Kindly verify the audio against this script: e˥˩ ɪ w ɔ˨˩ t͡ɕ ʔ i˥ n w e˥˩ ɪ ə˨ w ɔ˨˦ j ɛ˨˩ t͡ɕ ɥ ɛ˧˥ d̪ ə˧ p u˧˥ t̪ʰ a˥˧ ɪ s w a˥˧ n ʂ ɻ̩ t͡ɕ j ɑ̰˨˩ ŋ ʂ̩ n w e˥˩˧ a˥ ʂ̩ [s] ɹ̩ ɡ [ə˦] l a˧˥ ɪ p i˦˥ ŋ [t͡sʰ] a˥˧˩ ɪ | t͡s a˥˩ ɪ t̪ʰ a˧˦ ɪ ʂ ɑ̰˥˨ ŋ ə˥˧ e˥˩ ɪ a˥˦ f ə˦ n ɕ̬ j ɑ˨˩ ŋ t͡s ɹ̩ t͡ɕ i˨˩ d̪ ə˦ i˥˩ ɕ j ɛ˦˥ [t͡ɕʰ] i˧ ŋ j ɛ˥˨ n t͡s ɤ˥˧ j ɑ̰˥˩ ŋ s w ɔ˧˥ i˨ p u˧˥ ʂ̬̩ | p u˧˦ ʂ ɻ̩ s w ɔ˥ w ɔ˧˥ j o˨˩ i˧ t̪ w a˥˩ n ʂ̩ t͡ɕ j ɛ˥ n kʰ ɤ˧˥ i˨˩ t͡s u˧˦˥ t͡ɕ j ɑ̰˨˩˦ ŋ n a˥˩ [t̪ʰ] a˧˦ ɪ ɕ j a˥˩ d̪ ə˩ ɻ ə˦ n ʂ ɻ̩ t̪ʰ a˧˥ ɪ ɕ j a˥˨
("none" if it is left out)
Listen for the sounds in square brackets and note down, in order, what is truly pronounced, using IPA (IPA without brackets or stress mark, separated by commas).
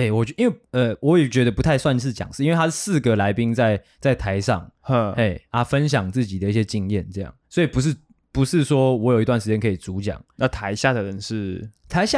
s, ə˩, t͡s, t͡ɕ, t̪ʰ